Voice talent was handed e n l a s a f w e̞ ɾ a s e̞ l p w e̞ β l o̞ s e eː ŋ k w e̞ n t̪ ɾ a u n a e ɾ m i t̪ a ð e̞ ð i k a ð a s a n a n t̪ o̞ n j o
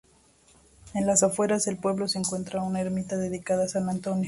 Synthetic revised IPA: e n l a s a f w e̞ ɾ a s e̞ l p w e̞ β l o̞ s e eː ŋ k w e̞ n t̪ ɾ a u n a e ɾ m i t̪ a ð e̞ ð i k a ð a s a n a n t̪ o̞ n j o